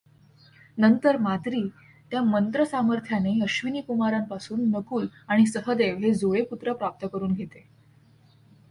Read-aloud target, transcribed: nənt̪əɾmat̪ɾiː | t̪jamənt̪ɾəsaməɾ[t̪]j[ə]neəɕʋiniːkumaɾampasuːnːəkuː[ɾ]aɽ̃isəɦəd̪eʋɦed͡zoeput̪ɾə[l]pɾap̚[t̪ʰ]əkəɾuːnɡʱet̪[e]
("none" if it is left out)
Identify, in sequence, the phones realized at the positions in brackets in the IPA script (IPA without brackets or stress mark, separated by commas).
t̪ʰ, a, l, none, t̪, e